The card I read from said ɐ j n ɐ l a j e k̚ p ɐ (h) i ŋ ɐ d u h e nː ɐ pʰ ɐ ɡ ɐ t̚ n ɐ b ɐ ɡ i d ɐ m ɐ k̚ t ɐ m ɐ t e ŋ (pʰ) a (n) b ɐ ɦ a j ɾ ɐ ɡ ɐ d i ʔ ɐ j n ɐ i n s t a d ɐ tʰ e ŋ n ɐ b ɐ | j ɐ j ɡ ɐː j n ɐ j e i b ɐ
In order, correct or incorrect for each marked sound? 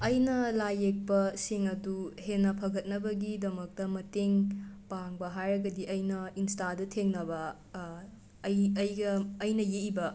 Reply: incorrect: s, incorrect: p, incorrect: ŋ

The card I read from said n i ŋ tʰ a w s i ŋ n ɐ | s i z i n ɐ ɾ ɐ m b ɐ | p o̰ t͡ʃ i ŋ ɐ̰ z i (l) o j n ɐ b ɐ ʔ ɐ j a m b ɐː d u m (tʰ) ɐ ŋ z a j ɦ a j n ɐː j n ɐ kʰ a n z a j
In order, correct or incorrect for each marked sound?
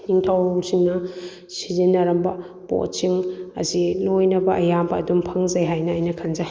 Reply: correct, incorrect: pʰ

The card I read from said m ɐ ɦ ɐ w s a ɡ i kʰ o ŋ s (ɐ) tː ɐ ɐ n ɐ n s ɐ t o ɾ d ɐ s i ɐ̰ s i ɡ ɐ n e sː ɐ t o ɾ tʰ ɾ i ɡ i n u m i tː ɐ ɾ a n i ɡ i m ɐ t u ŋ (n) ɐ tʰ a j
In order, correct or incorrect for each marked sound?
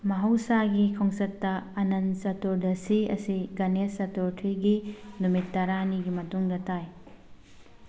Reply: correct, incorrect: d

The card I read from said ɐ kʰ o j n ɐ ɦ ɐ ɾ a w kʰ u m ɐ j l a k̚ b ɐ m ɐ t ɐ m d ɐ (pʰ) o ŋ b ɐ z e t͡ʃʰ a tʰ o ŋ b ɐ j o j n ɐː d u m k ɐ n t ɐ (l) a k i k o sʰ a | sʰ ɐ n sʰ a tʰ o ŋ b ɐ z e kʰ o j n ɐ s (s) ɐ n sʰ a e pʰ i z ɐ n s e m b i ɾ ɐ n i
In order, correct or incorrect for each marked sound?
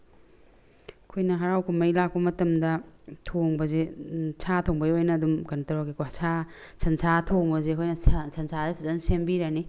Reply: incorrect: tʰ, incorrect: ɾ, correct

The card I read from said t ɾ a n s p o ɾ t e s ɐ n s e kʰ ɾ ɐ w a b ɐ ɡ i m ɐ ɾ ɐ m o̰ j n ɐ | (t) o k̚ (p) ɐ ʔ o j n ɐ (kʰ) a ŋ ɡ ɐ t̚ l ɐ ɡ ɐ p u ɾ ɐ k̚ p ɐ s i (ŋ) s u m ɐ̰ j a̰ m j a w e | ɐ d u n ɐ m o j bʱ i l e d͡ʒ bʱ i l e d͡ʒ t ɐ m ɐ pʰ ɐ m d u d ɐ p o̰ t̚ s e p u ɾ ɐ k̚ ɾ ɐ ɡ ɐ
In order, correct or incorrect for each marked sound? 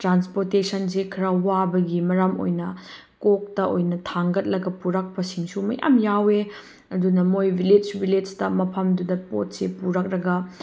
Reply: incorrect: k, incorrect: t, incorrect: tʰ, correct

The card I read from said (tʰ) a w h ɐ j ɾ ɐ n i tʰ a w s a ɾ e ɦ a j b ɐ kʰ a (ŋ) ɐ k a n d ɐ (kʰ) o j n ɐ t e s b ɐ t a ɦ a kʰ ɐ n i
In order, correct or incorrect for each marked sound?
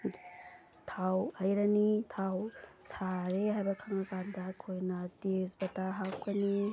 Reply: correct, correct, correct

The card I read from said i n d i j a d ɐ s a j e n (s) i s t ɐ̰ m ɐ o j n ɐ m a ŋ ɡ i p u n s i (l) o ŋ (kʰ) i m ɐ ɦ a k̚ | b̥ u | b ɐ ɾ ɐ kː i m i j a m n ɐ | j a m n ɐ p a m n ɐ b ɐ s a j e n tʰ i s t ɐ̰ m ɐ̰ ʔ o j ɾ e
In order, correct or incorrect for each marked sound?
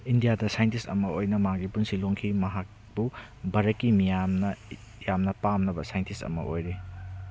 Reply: incorrect: t, correct, correct

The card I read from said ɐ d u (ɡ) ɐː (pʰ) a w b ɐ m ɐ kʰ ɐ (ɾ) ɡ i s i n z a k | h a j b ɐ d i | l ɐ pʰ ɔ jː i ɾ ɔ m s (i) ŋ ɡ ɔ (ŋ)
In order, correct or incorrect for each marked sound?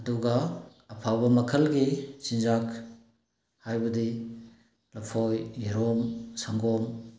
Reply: correct, correct, incorrect: l, incorrect: a, incorrect: m

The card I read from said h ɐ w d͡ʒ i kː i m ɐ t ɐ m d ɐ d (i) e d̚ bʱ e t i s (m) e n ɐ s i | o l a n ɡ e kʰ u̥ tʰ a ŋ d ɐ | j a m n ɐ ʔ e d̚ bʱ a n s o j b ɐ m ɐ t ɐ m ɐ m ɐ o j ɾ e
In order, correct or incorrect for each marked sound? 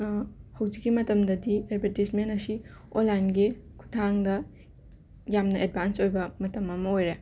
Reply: correct, correct

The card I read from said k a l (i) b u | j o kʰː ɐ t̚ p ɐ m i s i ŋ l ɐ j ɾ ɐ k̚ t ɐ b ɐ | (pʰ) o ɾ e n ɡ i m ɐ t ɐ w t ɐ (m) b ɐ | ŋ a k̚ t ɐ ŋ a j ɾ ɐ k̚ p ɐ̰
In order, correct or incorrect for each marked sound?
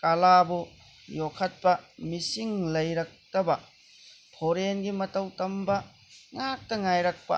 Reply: incorrect: a, correct, correct

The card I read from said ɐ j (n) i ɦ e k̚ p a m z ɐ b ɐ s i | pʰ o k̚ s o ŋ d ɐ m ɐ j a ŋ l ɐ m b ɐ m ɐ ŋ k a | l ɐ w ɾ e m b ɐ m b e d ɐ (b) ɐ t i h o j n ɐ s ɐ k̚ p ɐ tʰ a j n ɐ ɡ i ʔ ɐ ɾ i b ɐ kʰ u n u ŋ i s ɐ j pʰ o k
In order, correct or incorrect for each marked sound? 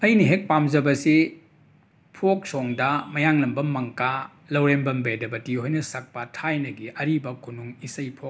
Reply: correct, correct

